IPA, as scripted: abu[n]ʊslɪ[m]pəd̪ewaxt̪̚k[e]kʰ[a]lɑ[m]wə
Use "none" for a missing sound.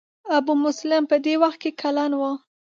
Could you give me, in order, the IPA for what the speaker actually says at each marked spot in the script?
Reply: m, m, e, a, n

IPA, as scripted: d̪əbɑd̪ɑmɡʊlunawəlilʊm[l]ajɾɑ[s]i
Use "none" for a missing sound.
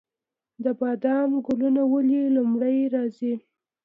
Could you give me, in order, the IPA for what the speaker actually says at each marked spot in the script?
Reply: ɽ, z

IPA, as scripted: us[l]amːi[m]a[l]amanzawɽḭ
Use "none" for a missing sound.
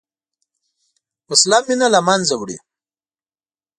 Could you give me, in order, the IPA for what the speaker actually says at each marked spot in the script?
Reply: l, n, l

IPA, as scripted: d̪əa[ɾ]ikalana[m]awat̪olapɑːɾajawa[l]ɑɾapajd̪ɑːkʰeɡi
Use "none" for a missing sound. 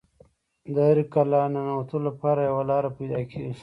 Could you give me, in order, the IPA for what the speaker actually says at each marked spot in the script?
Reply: ɾ, n, l

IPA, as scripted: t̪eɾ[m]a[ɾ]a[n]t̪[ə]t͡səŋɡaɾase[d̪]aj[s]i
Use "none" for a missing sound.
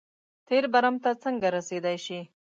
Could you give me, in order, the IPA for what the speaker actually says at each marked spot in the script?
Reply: b, ɾ, m, a, d̪, ʃ

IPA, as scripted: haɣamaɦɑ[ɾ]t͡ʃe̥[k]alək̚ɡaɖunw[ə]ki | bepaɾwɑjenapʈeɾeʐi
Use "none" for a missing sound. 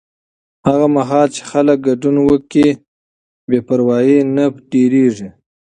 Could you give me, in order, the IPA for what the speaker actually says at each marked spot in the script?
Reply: l, x, ə

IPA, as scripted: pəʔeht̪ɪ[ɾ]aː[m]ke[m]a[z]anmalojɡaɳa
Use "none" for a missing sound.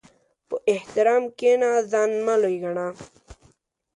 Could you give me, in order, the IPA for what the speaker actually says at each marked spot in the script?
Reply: ɾ, m, n, z

